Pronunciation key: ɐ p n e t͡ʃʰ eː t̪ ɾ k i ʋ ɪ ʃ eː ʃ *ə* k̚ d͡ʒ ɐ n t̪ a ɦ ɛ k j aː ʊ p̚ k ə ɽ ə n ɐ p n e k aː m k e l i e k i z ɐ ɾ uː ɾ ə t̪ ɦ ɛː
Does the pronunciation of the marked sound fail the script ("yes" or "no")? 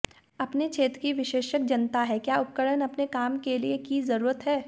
no